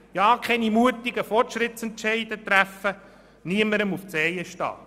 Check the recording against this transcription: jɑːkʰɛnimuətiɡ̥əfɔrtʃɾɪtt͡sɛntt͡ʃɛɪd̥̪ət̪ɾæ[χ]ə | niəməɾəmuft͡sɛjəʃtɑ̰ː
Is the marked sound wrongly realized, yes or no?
yes